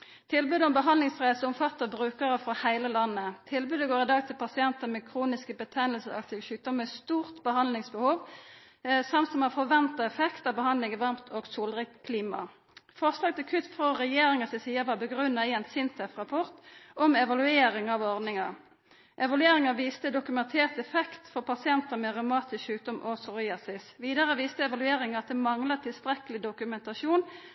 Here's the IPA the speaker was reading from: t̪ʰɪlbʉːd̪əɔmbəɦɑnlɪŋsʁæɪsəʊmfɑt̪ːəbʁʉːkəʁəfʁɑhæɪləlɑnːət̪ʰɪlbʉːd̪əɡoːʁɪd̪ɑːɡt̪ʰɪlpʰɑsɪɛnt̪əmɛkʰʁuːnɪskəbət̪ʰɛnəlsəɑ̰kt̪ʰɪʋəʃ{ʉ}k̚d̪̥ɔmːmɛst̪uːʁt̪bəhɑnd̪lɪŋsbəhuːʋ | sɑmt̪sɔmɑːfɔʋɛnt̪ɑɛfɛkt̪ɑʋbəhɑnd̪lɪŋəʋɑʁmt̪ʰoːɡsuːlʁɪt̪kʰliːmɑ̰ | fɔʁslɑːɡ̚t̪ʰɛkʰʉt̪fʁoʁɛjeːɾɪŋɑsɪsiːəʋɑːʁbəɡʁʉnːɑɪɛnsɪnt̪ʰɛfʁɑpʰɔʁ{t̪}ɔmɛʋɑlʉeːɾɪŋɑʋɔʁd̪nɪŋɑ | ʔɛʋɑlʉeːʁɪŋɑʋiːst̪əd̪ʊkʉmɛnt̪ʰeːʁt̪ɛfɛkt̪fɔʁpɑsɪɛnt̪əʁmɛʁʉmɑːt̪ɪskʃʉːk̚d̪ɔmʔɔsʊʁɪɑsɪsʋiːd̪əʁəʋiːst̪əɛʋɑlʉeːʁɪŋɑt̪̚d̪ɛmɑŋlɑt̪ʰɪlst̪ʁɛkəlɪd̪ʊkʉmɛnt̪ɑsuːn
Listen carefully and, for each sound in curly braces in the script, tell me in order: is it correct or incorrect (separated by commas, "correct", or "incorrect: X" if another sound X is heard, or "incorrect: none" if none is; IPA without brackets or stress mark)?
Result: incorrect: ʉː, correct